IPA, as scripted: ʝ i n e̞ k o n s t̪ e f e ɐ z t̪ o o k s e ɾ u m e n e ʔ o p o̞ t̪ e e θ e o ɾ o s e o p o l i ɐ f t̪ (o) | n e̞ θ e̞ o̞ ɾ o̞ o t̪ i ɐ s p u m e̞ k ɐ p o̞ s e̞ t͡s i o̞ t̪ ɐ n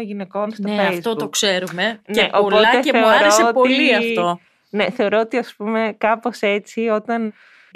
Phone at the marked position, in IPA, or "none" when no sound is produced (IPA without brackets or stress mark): o